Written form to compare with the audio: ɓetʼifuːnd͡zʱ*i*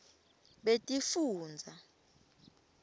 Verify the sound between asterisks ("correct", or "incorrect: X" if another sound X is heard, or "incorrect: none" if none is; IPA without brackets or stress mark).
incorrect: a